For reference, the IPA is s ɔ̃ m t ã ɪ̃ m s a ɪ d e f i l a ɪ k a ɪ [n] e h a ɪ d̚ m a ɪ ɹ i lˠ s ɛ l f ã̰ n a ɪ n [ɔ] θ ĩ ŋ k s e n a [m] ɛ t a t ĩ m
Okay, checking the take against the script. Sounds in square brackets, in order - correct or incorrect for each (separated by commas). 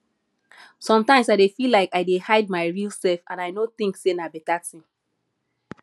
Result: incorrect, incorrect, incorrect